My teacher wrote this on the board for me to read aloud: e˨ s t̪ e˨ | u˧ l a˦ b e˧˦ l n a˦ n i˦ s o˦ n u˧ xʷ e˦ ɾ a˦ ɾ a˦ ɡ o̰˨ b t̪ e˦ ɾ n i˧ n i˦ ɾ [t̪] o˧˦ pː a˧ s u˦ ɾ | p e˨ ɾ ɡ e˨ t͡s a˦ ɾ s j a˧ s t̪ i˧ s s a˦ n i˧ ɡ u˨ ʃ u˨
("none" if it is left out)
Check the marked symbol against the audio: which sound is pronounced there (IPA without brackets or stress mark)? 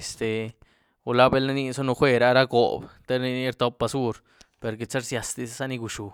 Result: t̪